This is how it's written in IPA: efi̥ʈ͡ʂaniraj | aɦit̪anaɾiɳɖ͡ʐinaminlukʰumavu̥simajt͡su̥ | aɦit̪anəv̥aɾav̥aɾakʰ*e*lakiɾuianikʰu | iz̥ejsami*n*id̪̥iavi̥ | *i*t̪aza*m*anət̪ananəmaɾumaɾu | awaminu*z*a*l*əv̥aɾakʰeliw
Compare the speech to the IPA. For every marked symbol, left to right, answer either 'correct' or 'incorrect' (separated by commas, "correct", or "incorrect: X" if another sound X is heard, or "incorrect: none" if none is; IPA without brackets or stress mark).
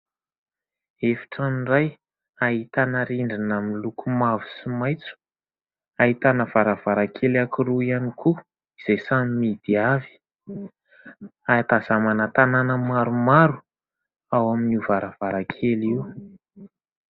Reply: correct, incorrect: m, incorrect: a, correct, incorrect: v, incorrect: ɾ